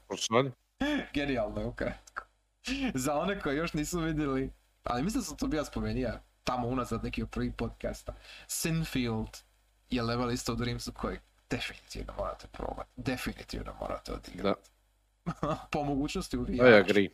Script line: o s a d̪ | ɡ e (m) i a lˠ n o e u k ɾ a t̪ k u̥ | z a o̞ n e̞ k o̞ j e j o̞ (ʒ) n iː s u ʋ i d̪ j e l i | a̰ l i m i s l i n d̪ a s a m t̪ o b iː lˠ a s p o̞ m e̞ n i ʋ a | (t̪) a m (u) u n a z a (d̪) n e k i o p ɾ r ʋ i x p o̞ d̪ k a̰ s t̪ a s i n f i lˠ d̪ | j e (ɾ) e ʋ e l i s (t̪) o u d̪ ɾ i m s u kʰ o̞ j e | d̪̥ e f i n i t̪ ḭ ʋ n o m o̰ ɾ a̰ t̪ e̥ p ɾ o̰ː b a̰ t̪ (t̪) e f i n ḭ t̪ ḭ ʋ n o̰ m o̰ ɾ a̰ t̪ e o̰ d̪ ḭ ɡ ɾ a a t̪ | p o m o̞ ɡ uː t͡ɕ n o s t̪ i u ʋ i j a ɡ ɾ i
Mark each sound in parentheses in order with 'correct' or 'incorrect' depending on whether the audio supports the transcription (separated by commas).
incorrect, incorrect, correct, incorrect, correct, incorrect, correct, incorrect